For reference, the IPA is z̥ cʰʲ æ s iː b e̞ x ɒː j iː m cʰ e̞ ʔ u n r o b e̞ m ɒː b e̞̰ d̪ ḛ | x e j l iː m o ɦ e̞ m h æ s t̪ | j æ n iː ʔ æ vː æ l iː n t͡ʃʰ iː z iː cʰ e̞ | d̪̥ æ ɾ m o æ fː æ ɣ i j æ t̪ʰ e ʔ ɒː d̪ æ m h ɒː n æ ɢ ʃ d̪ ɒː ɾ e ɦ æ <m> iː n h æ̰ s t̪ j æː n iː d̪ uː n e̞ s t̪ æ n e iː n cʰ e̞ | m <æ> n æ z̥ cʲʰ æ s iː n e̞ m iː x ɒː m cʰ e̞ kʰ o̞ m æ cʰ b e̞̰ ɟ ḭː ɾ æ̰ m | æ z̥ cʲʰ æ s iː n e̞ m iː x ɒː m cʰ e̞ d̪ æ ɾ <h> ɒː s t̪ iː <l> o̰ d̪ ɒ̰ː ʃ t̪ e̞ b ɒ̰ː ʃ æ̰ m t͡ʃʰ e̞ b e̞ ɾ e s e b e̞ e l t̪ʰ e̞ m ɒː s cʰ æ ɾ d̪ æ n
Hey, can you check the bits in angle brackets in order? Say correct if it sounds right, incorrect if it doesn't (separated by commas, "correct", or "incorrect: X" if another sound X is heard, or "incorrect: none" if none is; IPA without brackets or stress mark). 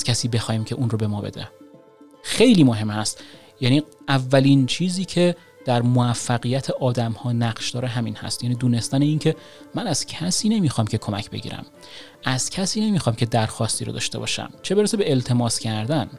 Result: correct, correct, incorrect: x, incorrect: ɾ